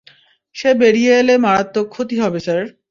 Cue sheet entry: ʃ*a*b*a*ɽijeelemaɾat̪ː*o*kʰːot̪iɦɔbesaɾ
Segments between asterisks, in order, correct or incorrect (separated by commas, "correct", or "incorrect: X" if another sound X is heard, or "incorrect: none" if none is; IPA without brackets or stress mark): incorrect: e, incorrect: e, correct